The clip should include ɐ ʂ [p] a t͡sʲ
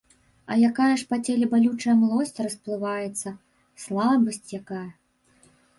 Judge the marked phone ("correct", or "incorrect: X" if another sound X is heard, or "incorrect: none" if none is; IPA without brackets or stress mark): correct